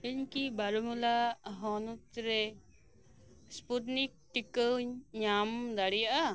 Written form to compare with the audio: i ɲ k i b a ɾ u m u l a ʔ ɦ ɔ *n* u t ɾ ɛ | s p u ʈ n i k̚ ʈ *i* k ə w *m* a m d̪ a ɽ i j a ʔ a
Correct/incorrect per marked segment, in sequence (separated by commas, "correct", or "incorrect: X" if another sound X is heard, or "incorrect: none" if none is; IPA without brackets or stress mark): correct, correct, incorrect: ɲ